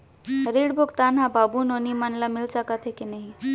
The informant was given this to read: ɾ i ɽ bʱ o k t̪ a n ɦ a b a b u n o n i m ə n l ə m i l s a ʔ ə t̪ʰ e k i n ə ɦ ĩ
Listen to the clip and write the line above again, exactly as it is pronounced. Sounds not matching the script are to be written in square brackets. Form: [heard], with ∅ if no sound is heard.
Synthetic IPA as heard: ɾ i ɽ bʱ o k t̪ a n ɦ a b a b u n o n i m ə n l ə m i l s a [k] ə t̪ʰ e k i n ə ɦ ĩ

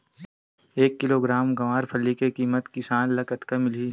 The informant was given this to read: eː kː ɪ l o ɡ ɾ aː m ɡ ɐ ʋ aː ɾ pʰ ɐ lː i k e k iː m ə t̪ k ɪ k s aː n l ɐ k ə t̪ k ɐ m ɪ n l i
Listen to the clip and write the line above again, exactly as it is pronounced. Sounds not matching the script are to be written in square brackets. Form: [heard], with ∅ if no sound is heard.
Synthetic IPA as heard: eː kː ɪ l o ɡ ɾ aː m ɡ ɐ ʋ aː ɾ pʰ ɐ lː i k e k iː m ə t̪ k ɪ [∅] s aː n l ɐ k ə t̪ k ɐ m ɪ [∅] l i

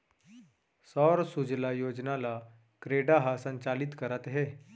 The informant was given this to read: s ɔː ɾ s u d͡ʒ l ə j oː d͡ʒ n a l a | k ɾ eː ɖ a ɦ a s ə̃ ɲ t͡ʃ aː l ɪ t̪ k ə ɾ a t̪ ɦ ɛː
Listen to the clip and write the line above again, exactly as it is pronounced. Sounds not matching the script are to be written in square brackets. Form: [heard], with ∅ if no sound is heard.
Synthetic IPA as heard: s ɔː ɾ s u d͡ʒ l [a] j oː d͡ʒ n a l a | k ɾ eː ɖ a ɦ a s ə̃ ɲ t͡ʃ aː l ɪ t̪ k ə ɾ [ə] t̪ ɦ ɛː

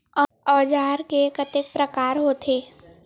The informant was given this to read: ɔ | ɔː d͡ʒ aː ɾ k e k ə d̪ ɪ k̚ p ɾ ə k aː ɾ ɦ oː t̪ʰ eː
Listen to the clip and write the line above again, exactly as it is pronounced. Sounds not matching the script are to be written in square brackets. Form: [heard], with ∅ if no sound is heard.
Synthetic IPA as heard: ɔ | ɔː d͡ʒ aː ɾ k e k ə [t̪] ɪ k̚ p ɾ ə k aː ɾ ɦ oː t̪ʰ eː

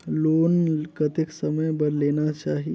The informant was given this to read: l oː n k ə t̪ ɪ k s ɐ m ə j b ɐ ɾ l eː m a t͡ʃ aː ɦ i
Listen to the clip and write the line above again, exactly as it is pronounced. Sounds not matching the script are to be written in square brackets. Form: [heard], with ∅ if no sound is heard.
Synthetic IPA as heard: l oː n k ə t̪ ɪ k s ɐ m ə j b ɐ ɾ l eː [n] a t͡ʃ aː ɦ i

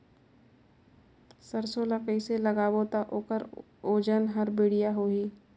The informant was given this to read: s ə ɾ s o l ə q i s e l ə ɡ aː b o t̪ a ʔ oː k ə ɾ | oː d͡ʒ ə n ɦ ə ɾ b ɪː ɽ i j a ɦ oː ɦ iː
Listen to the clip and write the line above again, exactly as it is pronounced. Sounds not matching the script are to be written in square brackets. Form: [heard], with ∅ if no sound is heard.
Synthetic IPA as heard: s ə ɾ s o l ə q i s e l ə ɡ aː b o t̪ a ʔ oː k ə ɾ | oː d͡ʒ ə n ɦ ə ɾ b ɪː ɽ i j a ɦ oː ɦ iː

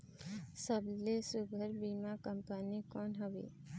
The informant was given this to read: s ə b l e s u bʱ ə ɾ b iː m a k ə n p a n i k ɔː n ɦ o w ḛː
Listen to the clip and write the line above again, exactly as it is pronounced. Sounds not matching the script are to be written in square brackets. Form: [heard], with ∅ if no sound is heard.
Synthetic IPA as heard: s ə b l e s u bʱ ə ɾ b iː m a k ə [m] p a n i k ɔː n ɦ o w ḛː

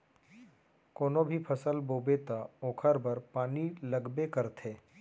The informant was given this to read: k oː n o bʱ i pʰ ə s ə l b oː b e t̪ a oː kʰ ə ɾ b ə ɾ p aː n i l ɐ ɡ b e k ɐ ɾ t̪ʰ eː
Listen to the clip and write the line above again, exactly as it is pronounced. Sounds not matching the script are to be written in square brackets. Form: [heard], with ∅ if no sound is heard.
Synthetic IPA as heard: k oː n o bʱ i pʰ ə s ə l b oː b e t̪ a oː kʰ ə ɾ b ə ɾ p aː n i l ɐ ɡ b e k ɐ ɾ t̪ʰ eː

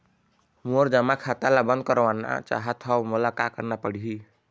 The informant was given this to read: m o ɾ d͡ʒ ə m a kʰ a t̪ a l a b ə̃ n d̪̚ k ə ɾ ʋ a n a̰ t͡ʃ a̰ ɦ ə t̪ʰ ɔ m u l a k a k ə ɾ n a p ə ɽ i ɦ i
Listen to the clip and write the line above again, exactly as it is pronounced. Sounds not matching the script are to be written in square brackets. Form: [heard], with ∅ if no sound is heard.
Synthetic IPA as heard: m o ɾ d͡ʒ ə m a kʰ a t̪ a l a b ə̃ n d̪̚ k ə ɾ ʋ a n a̰ t͡ʃ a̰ ɦ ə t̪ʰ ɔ m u l a k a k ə ɾ n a p ə ɽ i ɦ i

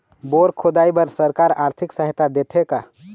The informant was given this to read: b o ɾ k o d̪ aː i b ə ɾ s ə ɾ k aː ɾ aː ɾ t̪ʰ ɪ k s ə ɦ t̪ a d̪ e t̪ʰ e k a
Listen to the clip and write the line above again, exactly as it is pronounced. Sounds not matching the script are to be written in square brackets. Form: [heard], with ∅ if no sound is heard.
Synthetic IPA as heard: b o ɾ [kʰ] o d̪ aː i b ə ɾ s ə ɾ k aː ɾ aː ɾ t̪ʰ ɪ k s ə ɦ t̪ a d̪ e t̪ʰ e k a

